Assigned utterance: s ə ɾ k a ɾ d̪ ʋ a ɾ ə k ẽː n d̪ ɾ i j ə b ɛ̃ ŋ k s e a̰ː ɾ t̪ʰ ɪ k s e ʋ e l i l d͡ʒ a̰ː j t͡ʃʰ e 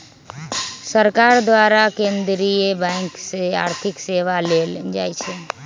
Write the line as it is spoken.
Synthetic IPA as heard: s ə ɾ k a ɾ d̪ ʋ a ɾ a k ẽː n d̪ ɾ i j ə b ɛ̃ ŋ k s e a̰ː ɾ t̪ʰ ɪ k s e ʋ a l e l d͡ʒ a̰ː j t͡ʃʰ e

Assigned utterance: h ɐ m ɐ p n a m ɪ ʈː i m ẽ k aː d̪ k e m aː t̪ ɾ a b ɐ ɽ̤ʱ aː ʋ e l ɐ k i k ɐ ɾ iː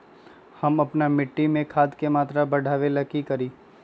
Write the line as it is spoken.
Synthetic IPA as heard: h ɐ m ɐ p n a m ɪ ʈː i m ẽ kʰ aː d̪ k e m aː t̪ ɾ a b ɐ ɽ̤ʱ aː ʋ e l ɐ k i k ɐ ɾ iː

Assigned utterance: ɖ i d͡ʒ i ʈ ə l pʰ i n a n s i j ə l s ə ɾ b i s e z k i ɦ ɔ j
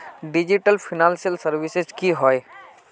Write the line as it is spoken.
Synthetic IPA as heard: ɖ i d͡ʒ i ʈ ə l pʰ i n a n s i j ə l s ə ɾ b i s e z k i ɦ ɔ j

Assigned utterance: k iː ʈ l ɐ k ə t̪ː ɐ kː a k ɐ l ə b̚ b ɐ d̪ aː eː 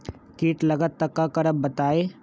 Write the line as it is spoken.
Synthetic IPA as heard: k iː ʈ l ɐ ɡ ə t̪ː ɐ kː a k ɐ ɾ ə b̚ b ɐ t̪ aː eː

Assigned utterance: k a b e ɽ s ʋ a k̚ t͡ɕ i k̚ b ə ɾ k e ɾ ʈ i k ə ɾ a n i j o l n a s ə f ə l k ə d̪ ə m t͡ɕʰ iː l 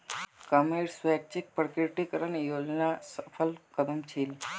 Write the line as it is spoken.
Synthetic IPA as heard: k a m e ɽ s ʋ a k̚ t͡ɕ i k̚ p ə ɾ k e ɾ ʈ i k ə ɾ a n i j o l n a s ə f ə l k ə d̪ ə m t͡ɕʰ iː l

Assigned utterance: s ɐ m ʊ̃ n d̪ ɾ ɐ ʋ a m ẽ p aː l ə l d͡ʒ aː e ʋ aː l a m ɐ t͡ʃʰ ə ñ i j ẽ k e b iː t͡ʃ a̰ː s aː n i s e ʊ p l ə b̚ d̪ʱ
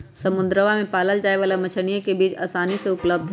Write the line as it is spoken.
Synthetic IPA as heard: s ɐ m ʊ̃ n d̪ ɾ ə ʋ a m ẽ p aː l ə l d͡ʒ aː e ʋ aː l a m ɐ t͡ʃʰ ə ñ i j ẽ k e b iː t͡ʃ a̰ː s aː n i s e ʊ p l ə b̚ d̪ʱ

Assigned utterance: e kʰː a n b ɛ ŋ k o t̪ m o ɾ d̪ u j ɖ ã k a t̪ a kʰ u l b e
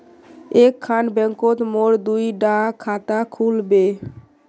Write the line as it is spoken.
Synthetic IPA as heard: e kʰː a n b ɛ ŋ k o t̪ m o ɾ d̪ u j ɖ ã kʰ a t̪ a kʰ u l b e

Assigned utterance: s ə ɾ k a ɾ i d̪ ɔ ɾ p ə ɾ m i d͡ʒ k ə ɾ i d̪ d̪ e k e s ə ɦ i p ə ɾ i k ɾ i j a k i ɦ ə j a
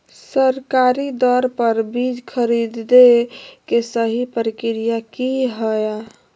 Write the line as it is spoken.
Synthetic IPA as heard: s ə ɾ k a ɾ i d̪ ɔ ɾ p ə ɾ b i d͡ʒ kʰ ə ɾ i d̪ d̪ e k e s ə ɦ i p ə ɾ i k ɾ i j a k i ɦ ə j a

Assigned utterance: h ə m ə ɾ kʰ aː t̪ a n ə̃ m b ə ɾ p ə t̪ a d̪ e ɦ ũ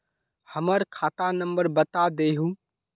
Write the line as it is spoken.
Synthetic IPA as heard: h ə m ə ɾ kʰ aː t̪ a n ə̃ m b ə ɾ b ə t̪ a d̪ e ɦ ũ

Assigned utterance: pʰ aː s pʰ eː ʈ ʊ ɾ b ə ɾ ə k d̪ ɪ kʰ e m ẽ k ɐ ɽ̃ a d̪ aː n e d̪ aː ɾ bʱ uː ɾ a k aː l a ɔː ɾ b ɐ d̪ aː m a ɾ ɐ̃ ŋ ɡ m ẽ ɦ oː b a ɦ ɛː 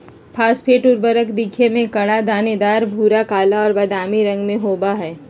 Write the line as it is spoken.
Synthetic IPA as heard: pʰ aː s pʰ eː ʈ ʊ ɾ b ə ɾ ə k d̪ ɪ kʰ e m ẽ k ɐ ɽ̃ a d̪ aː n e d̪ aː ɾ bʱ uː ɾ a k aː l a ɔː ɾ b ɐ d̪ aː m i ɾ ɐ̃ ŋ ɡ m ẽ ɦ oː b a ɦ ɛː

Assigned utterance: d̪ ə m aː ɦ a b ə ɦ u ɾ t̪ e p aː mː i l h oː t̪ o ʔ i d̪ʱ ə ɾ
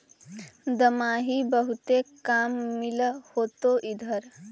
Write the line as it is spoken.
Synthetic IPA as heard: d̪ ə m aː ɦ i b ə ɦ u t̪ e k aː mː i l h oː t̪ o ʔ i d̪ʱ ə ɾ

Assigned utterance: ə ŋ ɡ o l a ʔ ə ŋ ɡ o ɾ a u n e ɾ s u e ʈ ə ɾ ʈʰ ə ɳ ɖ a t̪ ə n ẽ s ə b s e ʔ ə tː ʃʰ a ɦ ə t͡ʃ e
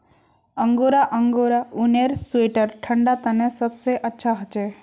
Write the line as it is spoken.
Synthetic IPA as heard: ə ŋ ɡ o ɾ a ʔ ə ŋ ɡ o ɾ a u n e ɾ s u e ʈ ə ɾ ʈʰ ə ɳ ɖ a t̪ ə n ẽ s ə b s e ʔ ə tː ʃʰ a ɦ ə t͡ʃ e

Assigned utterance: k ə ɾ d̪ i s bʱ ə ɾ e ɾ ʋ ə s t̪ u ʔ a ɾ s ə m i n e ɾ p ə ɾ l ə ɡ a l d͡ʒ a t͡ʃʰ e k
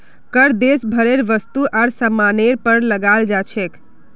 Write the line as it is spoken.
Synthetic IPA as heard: k ə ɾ d̪ e s bʱ ə ɾ e ɾ ʋ ə s t̪ u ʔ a ɾ s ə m a n e ɾ p ə ɾ l ə ɡ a l d͡ʒ a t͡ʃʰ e k

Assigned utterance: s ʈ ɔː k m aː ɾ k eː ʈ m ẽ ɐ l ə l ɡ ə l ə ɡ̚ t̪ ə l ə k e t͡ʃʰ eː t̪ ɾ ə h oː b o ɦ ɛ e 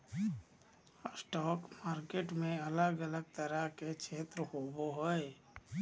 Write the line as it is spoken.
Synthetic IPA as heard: s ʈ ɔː k m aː ɾ k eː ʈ m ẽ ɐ l ə ɡ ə l ə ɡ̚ t̪ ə ɾ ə k e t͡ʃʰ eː t̪ ɾ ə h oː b o ɦ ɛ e

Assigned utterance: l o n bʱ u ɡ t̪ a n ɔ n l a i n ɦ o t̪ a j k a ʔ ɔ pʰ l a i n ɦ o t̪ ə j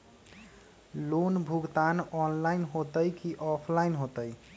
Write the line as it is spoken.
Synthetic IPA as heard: l o n bʱ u ɡ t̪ a n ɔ n l a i n ɦ o t̪ ə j k i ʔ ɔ pʰ l a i n ɦ o t̪ ə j

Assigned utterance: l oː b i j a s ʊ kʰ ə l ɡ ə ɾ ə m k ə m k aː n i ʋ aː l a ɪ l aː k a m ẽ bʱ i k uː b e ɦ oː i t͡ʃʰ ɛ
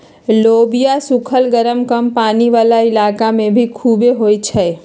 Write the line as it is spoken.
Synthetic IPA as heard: l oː b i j a s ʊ kʰ ə l ɡ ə ɾ ə m k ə m p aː n i ʋ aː l a ɪ l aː k a m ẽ bʱ i kʰ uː b e ɦ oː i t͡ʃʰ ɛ

